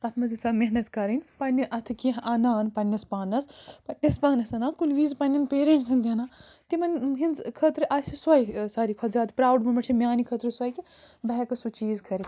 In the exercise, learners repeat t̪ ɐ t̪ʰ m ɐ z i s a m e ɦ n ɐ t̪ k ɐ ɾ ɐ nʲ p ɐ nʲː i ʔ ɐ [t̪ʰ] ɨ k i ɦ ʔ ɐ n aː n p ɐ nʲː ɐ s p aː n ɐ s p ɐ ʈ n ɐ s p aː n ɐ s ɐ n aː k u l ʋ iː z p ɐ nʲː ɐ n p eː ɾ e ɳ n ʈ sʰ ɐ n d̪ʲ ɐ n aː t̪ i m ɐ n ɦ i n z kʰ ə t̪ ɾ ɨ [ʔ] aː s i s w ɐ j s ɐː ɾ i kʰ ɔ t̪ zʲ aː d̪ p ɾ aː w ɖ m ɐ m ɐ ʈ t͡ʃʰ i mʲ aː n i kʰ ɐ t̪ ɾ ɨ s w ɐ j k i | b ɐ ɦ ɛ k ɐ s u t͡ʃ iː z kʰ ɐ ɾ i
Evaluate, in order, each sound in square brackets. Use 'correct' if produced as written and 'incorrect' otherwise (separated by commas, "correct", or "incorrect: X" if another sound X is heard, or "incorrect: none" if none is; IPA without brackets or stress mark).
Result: correct, correct